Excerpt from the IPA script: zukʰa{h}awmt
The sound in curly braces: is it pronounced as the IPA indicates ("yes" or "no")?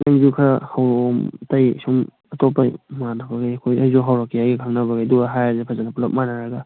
yes